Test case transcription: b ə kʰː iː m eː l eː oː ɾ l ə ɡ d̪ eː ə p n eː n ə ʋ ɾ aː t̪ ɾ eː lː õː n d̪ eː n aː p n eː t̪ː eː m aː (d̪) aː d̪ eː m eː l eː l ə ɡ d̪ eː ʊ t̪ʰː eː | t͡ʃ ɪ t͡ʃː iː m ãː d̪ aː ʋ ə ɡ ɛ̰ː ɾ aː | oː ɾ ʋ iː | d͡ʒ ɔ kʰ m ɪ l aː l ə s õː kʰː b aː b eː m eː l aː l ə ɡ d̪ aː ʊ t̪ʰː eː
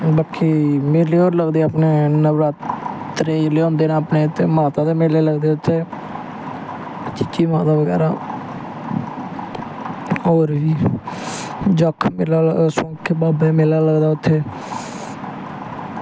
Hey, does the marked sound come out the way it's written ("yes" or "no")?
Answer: no